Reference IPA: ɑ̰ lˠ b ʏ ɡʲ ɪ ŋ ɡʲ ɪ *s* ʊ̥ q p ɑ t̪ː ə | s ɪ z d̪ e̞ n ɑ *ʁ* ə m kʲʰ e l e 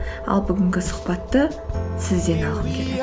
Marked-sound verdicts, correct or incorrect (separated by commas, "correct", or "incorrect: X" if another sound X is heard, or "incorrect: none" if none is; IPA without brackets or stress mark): correct, correct